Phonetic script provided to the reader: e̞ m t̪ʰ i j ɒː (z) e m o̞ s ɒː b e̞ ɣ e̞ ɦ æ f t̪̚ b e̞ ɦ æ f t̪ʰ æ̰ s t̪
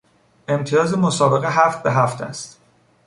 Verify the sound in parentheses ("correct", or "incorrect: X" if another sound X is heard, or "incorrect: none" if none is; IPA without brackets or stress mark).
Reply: correct